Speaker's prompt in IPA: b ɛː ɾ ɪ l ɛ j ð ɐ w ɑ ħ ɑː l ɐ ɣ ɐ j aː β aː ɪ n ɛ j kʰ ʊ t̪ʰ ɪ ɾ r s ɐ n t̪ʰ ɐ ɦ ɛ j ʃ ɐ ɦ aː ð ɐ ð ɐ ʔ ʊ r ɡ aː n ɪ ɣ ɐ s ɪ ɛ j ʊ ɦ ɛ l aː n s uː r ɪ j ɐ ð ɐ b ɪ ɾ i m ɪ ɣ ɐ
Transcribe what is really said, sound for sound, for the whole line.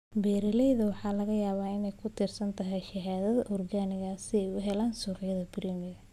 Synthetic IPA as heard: b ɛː ɾ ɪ l ɛ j ð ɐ w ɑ ħ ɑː l ɐ ɣ ɐ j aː β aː ɪ n ɛ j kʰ ʊ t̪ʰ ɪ r s ɐ n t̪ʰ ɐ ɦ ɛ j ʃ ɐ ɦ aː ð ɐ ð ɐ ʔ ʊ r ɡ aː n ɪ ɣ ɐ s ɪ ɛ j ʊ ɦ ɛ l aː n s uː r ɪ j ɐ ð ɐ b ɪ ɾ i m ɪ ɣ ɐ